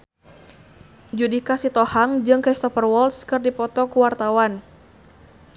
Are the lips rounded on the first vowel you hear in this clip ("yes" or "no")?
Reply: yes